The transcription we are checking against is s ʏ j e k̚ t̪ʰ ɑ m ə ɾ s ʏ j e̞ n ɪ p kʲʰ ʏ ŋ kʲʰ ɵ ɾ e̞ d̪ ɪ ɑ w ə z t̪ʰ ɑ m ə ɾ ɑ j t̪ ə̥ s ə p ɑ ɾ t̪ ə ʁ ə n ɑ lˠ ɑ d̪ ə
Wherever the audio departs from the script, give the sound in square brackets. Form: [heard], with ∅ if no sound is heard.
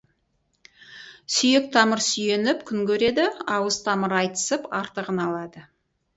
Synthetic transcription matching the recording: s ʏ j e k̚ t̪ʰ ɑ m ə ɾ s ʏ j e̞ n ɪ p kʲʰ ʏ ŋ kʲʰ ɵ ɾ e̞ d̪ ɪ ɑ w ə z t̪ʰ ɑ m ə ɾ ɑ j t̪ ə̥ s ə p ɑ ɾ t̪ ə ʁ ə n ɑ lˠ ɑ d̪ ə